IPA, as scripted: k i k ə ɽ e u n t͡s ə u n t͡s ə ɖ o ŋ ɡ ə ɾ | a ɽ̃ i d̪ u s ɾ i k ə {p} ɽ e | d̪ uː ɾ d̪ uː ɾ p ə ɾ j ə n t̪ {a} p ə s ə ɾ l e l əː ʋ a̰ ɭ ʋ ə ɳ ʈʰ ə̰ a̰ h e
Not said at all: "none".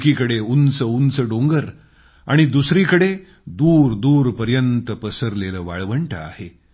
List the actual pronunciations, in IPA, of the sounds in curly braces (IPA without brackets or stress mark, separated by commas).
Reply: none, ə